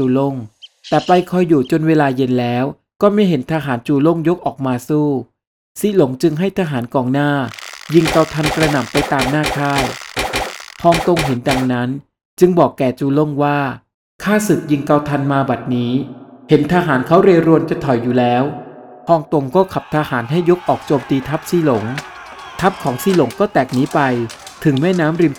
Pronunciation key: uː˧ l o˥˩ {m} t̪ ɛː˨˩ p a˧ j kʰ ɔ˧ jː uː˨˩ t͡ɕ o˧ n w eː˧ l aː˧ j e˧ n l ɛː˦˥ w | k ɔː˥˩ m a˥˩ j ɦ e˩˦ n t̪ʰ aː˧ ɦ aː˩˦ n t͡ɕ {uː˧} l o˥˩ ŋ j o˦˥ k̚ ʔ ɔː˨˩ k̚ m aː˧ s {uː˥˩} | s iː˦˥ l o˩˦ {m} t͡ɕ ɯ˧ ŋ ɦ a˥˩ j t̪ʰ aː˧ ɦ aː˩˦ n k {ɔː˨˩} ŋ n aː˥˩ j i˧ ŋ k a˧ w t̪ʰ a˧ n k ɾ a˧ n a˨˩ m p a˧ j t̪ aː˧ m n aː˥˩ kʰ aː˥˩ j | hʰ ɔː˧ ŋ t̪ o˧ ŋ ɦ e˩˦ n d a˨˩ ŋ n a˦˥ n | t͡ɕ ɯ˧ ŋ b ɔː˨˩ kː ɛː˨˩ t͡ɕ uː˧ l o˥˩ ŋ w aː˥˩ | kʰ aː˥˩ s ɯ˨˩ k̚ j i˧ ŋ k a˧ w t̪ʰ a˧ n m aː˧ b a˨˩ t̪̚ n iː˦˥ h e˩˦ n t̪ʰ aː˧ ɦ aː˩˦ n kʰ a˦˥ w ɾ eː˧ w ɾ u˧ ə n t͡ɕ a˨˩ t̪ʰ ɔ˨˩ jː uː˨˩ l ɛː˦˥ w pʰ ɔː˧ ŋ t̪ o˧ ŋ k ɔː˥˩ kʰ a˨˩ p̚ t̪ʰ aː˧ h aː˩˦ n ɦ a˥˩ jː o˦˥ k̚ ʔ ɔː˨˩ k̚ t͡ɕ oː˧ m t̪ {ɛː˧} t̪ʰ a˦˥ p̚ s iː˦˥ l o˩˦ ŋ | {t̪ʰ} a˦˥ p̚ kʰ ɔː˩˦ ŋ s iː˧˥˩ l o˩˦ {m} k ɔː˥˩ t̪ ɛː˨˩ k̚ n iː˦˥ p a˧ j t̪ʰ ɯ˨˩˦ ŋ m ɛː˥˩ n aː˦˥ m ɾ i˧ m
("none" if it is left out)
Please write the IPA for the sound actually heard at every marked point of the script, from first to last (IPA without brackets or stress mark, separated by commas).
ŋ, uː˧, uː˥˩, ŋ, ɔː˨˩, iː˧, t̪ʰ, ŋ